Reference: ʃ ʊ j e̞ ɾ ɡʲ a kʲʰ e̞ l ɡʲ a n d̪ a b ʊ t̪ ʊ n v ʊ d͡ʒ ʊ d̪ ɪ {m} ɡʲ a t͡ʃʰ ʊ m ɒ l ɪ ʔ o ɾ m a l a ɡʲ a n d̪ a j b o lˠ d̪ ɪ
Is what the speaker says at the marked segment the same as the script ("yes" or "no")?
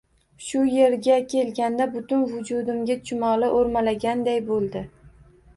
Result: yes